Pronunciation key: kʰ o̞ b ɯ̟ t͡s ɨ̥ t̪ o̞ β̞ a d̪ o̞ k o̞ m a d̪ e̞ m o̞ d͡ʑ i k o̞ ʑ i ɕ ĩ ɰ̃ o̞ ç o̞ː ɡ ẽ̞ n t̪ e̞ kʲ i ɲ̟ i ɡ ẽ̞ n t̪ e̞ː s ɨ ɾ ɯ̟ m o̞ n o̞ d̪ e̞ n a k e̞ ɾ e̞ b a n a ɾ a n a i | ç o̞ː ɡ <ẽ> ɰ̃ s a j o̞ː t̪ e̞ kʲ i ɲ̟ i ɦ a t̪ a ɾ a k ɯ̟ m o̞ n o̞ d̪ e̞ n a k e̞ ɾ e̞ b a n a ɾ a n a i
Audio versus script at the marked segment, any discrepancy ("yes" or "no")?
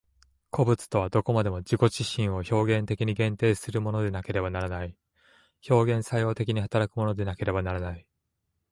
no